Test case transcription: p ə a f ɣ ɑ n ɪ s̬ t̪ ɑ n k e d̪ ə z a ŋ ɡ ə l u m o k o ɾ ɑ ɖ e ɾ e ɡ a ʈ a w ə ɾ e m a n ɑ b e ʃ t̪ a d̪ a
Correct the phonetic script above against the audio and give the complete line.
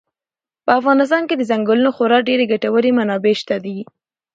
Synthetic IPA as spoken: p ə a f ɣ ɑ n ɪ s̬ t̪ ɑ n k e d̪ ə z a ŋ ɡ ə l u n o x o ɾ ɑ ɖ e ɾ e ɡ a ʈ a w ə ɾ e m a n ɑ b e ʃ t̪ a d̪ i